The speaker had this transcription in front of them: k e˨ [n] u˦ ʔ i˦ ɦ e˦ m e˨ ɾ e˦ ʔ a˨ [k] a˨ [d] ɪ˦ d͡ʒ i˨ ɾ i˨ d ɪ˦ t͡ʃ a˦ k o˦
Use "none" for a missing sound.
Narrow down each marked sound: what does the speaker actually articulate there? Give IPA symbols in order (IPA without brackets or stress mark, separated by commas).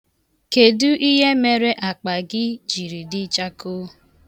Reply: d, k͡p, ɡ